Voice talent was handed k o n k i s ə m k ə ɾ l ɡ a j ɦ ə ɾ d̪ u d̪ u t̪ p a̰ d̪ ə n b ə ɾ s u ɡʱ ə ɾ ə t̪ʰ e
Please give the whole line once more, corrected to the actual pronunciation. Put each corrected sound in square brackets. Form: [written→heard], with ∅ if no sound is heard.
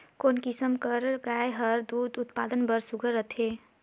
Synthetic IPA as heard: k o n k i s ə m k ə ɾ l ɡ a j ɦ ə ɾ d̪ u d̪ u t̪ p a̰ d̪ ə n b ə ɾ s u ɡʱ ə ɾ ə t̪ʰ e